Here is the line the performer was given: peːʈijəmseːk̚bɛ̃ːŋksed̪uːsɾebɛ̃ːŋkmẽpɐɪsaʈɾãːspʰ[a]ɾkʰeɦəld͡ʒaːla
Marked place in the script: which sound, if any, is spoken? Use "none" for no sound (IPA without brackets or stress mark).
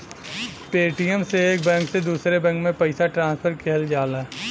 ə